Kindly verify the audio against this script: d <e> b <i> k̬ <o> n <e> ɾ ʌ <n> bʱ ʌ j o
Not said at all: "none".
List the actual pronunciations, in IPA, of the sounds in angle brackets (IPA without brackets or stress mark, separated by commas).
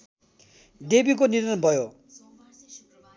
e, i, o, i, n